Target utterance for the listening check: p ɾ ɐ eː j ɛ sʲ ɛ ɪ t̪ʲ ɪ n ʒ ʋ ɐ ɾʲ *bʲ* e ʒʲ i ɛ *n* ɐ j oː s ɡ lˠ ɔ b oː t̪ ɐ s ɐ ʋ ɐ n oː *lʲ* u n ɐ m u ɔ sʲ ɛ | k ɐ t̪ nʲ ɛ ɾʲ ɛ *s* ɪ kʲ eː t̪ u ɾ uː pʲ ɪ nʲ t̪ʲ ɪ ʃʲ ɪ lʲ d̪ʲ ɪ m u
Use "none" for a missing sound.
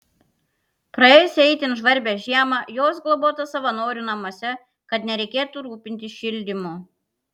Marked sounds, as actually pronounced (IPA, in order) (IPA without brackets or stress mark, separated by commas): bʲ, m, ɾʲ, none